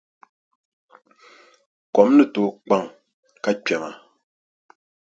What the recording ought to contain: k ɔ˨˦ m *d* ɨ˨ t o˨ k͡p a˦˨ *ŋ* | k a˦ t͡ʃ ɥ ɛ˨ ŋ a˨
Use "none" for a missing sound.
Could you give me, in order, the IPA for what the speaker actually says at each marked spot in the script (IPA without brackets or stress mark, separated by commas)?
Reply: n, ŋ